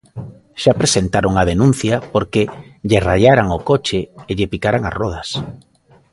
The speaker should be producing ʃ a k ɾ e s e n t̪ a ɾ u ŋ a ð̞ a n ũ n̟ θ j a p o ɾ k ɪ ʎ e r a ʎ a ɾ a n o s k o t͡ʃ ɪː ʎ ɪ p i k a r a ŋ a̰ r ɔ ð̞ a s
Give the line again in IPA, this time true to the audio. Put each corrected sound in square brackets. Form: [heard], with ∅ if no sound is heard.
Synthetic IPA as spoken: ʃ a [p] ɾ e s e n t̪ a ɾ [o] ŋ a ð̞ [e] n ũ n̟ θ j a p o ɾ k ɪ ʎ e r a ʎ a ɾ a [ŋ] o [∅] k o t͡ʃ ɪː ʎ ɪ p i k a [ɾ] a ŋ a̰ r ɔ ð̞ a s